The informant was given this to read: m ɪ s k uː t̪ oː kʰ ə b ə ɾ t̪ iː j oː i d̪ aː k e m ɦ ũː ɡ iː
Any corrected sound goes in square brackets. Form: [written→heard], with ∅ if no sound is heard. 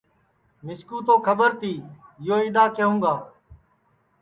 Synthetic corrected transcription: m ɪ s k uː t̪ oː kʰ ə b ə ɾ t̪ iː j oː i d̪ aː k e [m→∅] ɦ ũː ɡ [iː→aː]